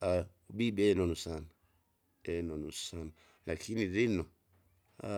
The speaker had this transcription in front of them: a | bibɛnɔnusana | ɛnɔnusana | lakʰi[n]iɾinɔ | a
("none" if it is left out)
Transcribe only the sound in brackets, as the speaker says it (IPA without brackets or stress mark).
n